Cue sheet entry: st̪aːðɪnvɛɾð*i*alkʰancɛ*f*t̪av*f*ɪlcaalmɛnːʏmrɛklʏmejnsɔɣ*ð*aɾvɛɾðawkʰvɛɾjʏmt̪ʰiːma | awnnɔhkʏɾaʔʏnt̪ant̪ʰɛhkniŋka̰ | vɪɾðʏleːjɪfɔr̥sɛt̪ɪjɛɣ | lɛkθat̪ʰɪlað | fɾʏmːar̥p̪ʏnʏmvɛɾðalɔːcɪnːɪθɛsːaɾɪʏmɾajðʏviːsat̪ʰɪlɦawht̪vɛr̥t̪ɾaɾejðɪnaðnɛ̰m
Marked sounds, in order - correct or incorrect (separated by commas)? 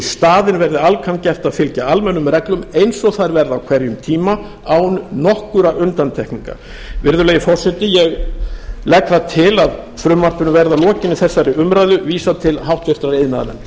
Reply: incorrect, correct, correct, incorrect